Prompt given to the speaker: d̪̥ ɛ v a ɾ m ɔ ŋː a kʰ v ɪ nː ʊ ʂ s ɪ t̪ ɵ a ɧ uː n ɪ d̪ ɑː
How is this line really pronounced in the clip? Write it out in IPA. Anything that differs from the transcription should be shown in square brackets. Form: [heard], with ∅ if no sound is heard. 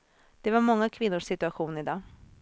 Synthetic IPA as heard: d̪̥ ɛ v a ɾ m ɔ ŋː a kʰ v ɪ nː ʊ ʂ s ɪ t̪ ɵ a ɧ uː n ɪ d̪ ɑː

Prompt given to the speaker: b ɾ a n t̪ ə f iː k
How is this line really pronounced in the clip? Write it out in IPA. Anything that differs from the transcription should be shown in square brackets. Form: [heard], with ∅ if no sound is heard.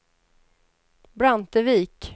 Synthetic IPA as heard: b ɾ a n t̪ ə [v] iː k

